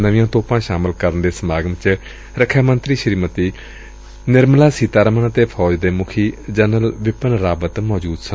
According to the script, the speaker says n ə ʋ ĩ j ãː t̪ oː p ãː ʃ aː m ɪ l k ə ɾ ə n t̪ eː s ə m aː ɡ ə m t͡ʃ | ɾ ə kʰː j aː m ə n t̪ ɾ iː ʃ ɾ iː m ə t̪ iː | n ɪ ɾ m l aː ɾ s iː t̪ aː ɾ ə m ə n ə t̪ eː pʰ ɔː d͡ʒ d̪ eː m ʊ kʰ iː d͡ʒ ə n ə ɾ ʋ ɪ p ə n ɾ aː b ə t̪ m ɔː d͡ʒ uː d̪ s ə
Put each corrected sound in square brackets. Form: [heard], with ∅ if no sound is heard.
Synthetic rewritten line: n ə ʋ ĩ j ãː t̪ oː p ãː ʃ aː m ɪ l k ə ɾ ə n [d̪] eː s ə m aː ɡ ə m t͡ʃ | ɾ ə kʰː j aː m ə n t̪ ɾ iː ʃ ɾ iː m ə t̪ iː | n ɪ ɾ m l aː [∅] s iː t̪ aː ɾ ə m ə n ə t̪ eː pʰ ɔː d͡ʒ d̪ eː m ʊ kʰ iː d͡ʒ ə n ə [l] ʋ ɪ p ə n ɾ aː b ə t̪ m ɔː d͡ʒ uː d̪ s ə

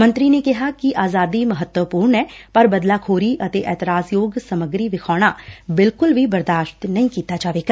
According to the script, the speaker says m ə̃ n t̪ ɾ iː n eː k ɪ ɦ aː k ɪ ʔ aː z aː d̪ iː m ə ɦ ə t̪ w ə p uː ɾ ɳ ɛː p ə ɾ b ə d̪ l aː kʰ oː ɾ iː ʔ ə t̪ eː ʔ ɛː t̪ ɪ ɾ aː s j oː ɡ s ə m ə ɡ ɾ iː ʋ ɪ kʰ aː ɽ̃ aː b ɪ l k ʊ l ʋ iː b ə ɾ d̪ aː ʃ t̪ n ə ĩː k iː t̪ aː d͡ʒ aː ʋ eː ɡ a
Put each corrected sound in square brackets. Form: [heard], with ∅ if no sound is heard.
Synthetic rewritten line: m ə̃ n t̪ ɾ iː n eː k ɪ ɦ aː k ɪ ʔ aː z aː d̪ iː m ə ɦ ə t̪ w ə p uː ɾ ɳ ɛː p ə ɾ b ə d̪ l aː kʰ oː ɾ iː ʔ ə t̪ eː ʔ ɛː t̪ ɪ ɾ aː s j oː ɡ s ə m ə ɡ ɾ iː ʋ ɪ kʰ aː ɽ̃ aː b ɪ l k ʊ l ʋ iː b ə ɾ d̪ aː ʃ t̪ n ə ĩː k iː t̪ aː d͡ʒ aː ʋ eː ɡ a

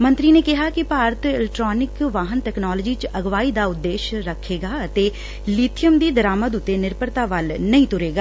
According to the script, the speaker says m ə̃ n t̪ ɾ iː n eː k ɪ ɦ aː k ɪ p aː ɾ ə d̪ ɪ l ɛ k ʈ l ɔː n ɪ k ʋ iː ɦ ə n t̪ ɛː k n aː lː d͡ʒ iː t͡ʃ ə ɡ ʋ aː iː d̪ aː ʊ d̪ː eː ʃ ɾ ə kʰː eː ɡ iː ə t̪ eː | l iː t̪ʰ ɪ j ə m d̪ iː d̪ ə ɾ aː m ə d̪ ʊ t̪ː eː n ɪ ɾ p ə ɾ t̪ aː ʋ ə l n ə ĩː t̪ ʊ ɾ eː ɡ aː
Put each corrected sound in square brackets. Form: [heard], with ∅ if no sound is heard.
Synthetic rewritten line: m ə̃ n t̪ ɾ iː n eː k ɪ ɦ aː k ɪ p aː ɾ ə [t̪] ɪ l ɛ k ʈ [ɾ] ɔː n ɪ k ʋ [aː] ɦ ə n t̪ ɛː k n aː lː d͡ʒ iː t͡ʃ ə ɡ ʋ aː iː d̪ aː ʊ d̪ː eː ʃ ɾ ə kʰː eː ɡ [aː] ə t̪ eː | l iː t̪ʰ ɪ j ə m d̪ iː d̪ ə ɾ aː m ə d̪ ʊ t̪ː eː n ɪ ɾ p ə ɾ t̪ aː ʋ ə l n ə ĩː t̪ ʊ ɾ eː ɡ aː

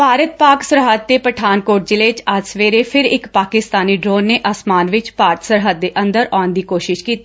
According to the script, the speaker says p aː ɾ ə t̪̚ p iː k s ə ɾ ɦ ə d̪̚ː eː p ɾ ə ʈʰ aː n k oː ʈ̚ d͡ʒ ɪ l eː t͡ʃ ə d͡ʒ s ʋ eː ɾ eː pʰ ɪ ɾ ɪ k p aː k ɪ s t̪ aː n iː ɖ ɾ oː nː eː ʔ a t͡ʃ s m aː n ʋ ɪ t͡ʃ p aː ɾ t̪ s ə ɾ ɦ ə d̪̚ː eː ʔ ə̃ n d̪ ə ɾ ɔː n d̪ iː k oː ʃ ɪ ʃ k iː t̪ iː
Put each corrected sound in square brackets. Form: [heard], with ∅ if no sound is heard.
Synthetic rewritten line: p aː ɾ ə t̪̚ p [aː] k s ə ɾ ɦ ə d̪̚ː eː p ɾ ə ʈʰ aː n k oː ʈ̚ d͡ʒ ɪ l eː t͡ʃ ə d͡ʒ s ʋ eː ɾ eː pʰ ɪ ɾ ɪ k p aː k ɪ s t̪ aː n iː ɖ ɾ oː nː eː ʔ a [∅] s m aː n ʋ ɪ t͡ʃ p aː ɾ t̪ s ə ɾ ɦ ə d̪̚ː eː ʔ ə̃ n d̪ ə ɾ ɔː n d̪ iː k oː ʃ ɪ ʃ k iː t̪ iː

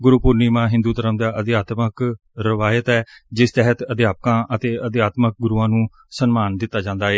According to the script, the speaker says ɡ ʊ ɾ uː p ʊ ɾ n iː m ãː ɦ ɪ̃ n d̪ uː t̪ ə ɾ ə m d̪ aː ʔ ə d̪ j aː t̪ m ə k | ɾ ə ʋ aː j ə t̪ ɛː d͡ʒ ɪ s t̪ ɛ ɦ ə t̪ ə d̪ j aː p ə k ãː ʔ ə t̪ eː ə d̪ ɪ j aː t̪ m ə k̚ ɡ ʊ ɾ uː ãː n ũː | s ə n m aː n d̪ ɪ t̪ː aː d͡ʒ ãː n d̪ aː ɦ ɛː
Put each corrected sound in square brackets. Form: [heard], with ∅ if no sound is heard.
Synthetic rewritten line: ɡ ʊ ɾ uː p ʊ ɾ n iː m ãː ɦ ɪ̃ n d̪ uː t̪ ə ɾ ə m d̪ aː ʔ ə d̪ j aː t̪ m ə k | ɾ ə ʋ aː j ə t̪ ɛː d͡ʒ ɪ s t̪ ɛ ɦ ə t̪ ə d̪ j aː p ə k ãː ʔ ə t̪ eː ə d̪ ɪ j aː t̪ m ə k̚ ɡ ʊ ɾ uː ãː n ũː | s ə n m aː n d̪ ɪ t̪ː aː d͡ʒ ãː n d̪ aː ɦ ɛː

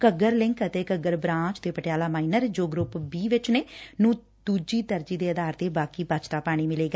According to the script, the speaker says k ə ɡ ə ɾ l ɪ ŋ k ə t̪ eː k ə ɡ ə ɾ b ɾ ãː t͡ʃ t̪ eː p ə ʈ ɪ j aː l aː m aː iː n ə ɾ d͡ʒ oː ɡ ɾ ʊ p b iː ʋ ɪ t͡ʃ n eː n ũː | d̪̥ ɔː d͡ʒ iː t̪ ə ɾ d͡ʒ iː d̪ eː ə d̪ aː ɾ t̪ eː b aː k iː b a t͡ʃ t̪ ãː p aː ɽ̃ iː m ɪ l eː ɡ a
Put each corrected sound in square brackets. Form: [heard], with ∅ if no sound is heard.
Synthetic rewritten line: k ə ɡ ə ɾ l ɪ ŋ k ə t̪ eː k ə ɡ ə ɾ b ɾ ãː t͡ʃ t̪ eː p ə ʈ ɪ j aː l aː m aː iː n ə ɾ d͡ʒ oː ɡ ɾ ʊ p b iː ʋ ɪ t͡ʃ n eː n ũː | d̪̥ [uː] d͡ʒ iː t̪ ə ɾ d͡ʒ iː d̪ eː ə d̪ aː ɾ t̪ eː b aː k iː b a t͡ʃ t̪ [aː] p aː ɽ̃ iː m ɪ l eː ɡ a

